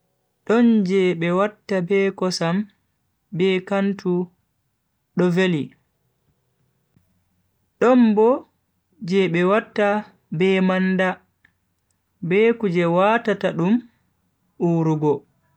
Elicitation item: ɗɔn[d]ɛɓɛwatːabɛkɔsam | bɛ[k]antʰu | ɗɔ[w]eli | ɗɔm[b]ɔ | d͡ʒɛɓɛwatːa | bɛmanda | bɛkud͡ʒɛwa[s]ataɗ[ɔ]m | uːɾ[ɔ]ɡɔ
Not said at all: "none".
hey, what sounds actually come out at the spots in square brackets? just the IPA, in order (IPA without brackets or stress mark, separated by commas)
d͡ʒ, k, v, b, t, u, u